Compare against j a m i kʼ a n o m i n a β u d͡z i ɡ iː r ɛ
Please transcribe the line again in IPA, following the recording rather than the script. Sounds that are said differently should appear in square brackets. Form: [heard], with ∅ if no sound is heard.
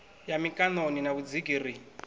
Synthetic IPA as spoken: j a m i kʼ a n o [n] i n a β u d͡z i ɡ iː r [i]